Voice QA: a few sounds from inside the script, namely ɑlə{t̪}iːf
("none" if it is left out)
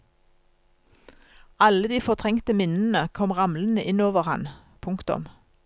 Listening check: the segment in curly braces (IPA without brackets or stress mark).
d̪